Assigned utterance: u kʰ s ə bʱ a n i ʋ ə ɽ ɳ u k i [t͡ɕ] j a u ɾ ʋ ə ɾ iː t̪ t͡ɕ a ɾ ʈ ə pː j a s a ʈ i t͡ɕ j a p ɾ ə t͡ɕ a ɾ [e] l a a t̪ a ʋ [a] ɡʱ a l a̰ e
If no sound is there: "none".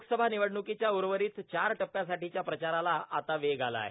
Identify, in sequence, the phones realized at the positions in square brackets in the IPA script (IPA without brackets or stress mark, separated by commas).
t͡ɕ, a, e